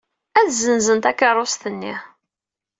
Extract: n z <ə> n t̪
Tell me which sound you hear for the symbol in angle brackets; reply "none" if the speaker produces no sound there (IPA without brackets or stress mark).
ə